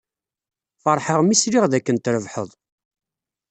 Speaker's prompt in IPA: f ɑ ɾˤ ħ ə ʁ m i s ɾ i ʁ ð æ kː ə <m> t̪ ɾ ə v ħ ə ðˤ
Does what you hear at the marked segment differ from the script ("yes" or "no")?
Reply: yes